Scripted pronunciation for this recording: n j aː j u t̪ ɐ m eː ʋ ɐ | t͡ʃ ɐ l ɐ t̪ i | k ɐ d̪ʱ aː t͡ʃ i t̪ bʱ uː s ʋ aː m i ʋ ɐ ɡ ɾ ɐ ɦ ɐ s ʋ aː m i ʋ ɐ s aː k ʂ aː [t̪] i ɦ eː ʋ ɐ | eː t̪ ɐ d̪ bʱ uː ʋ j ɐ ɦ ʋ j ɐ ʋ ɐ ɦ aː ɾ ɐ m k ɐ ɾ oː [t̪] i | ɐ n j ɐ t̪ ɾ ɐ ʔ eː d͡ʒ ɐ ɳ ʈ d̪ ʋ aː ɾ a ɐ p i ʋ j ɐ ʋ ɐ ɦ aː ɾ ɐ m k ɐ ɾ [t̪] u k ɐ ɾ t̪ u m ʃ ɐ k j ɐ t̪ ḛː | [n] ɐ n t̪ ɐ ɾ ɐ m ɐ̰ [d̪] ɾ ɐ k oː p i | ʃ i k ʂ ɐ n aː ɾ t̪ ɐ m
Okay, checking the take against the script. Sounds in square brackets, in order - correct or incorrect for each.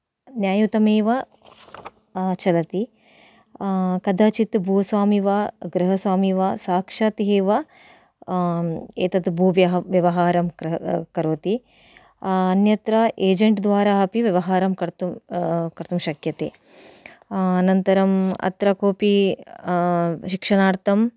correct, correct, correct, correct, incorrect: t̪

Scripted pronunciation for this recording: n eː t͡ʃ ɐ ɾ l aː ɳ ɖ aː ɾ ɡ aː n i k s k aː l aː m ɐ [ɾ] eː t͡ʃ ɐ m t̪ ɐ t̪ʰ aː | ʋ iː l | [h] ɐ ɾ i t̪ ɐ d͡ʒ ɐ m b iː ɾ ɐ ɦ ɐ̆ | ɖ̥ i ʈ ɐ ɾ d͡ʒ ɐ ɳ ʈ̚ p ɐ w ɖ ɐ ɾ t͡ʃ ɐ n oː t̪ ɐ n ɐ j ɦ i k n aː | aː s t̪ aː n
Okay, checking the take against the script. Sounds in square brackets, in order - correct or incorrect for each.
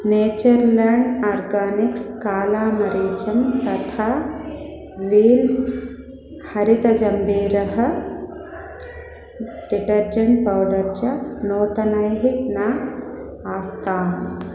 correct, correct

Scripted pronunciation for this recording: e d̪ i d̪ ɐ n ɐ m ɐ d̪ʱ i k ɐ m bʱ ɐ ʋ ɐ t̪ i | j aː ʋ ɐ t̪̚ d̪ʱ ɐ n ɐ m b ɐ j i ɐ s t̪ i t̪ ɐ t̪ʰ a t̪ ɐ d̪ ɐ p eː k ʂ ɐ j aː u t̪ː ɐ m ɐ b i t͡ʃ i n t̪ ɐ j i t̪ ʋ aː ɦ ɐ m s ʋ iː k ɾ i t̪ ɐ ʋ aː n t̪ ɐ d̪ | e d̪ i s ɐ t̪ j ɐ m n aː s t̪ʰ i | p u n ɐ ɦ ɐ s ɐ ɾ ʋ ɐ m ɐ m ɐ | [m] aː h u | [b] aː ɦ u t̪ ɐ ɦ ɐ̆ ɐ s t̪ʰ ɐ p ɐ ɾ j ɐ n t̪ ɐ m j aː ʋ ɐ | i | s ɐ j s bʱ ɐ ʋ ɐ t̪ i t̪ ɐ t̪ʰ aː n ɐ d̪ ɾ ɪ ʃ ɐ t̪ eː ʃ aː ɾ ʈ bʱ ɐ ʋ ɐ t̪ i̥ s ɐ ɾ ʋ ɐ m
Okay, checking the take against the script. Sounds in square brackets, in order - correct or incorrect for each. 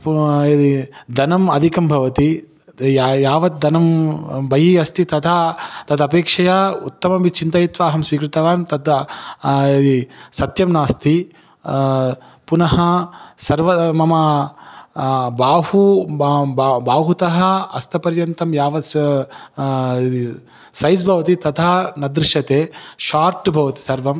incorrect: b, correct

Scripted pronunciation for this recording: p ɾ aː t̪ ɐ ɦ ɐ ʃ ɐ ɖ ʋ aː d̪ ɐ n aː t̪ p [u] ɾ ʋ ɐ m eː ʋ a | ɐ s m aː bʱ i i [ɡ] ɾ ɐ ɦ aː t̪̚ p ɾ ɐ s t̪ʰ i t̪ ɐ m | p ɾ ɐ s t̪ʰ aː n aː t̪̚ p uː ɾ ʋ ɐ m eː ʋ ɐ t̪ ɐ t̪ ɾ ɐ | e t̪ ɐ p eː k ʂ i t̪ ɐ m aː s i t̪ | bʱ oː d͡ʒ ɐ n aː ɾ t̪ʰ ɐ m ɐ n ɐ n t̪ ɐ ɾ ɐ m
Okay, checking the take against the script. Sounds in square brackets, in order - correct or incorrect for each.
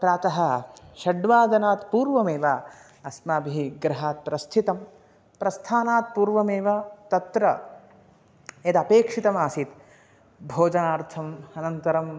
incorrect: uː, correct

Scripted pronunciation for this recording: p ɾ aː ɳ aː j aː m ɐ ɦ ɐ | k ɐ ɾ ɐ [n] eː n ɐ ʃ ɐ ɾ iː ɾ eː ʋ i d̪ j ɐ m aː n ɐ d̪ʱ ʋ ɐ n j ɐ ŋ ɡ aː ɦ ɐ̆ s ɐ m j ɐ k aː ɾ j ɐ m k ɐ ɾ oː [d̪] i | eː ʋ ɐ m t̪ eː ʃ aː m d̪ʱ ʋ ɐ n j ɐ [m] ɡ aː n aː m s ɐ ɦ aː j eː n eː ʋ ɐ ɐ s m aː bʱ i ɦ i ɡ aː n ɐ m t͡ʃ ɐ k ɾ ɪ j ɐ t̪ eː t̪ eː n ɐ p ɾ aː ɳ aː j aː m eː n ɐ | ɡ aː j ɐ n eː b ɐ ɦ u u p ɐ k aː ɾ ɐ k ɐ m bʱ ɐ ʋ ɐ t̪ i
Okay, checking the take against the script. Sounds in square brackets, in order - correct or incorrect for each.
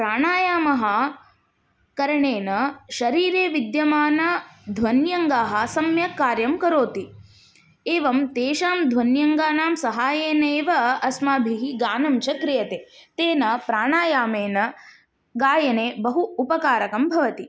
incorrect: ɳ, incorrect: t̪, incorrect: ŋ

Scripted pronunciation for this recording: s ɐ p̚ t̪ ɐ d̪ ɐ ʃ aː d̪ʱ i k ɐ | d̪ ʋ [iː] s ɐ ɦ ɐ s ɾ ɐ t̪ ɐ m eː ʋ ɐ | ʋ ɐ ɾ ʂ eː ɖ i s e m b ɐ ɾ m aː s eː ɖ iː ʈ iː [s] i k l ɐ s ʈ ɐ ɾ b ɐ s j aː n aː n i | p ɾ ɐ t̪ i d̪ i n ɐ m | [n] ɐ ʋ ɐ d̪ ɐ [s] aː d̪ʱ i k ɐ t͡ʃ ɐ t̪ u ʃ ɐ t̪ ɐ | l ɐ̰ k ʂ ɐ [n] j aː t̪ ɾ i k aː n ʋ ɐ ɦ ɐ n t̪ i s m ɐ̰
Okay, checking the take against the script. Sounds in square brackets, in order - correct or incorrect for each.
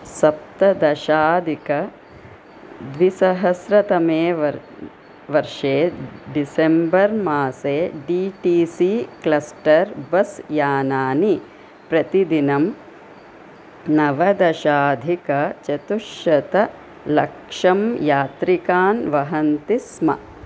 incorrect: i, correct, correct, incorrect: ʃ, incorrect: m

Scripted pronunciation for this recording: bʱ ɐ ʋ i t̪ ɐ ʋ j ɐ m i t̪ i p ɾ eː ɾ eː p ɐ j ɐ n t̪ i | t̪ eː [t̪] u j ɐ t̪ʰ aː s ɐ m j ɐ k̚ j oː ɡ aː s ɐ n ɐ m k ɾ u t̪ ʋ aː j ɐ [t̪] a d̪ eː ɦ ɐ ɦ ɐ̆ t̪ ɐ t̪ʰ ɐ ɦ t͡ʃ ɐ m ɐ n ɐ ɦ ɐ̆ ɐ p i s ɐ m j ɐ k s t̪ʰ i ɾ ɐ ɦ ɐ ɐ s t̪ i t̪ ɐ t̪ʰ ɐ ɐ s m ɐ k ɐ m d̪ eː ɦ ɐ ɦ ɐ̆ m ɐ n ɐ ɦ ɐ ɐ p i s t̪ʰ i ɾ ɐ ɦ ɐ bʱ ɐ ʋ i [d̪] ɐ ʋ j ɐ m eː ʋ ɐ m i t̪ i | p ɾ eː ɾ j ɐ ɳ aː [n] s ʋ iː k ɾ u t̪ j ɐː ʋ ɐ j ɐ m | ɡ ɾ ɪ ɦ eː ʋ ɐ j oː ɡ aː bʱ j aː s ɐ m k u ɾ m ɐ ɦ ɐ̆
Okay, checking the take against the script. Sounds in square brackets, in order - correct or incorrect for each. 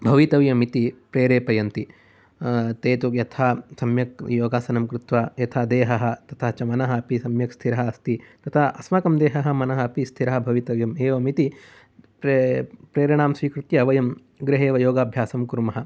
correct, incorrect: t̪ʰ, incorrect: t̪, incorrect: m

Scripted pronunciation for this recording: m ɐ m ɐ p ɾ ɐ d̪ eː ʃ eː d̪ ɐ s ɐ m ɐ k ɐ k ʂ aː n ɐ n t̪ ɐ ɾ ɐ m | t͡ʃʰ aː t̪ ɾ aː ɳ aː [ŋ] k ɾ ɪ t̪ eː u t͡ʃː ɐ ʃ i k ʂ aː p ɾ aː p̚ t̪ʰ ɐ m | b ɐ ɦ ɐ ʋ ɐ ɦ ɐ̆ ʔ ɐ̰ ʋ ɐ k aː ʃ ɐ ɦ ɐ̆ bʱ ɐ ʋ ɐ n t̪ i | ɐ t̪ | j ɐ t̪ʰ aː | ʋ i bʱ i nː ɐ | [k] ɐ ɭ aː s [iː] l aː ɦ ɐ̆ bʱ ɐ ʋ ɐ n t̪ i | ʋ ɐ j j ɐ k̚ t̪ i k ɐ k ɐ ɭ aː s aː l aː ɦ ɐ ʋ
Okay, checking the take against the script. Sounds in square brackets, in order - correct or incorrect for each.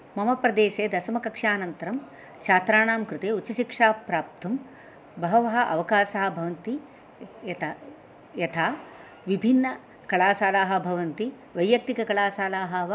incorrect: m, correct, incorrect: aː

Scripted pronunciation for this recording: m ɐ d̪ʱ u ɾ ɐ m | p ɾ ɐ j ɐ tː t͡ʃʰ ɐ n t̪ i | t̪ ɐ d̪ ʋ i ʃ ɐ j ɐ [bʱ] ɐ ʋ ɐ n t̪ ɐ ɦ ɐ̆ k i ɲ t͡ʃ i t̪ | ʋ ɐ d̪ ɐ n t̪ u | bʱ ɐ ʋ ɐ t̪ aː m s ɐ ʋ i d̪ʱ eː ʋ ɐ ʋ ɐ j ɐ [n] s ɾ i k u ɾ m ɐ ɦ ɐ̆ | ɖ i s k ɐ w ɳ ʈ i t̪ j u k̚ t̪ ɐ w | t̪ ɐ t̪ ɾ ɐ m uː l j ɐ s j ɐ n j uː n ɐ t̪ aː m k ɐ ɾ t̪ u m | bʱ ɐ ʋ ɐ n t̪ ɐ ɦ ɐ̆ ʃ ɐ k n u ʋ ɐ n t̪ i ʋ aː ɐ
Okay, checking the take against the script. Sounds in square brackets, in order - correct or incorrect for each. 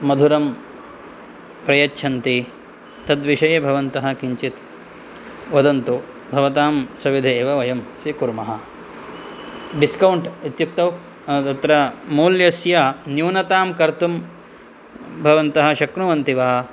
correct, incorrect: m

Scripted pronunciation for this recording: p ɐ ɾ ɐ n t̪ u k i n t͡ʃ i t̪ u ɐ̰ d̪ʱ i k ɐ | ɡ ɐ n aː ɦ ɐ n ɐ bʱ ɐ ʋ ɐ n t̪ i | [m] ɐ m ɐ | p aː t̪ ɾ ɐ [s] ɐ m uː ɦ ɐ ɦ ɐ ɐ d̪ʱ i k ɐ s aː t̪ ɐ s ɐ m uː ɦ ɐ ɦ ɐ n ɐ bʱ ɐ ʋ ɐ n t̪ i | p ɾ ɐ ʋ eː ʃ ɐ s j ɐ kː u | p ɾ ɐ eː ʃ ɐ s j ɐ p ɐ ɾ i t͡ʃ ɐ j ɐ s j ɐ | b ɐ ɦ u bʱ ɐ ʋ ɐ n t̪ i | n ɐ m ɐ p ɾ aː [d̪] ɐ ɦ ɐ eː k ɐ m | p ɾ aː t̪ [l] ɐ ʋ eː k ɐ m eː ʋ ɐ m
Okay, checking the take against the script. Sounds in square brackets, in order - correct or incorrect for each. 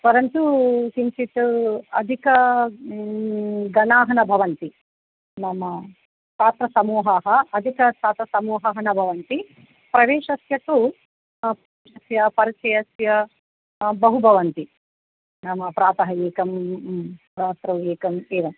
incorrect: n, correct, incorrect: t̪, incorrect: ɾ

